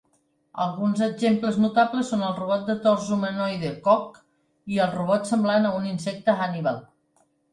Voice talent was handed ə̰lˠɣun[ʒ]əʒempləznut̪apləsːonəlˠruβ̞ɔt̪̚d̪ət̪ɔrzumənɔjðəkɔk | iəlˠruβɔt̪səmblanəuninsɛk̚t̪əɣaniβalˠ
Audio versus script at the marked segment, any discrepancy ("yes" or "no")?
yes